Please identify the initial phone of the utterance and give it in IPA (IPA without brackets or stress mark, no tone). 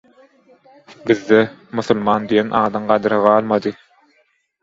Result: b